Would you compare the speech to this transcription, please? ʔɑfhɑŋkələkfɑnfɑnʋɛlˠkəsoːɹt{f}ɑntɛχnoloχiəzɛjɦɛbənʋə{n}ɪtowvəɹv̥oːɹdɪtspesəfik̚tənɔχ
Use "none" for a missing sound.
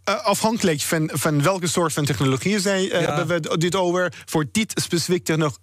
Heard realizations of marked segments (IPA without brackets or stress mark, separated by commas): f, d